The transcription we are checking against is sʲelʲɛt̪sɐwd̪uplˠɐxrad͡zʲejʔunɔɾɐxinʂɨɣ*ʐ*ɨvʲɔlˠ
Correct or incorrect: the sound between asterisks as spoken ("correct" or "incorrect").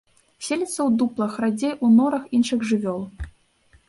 correct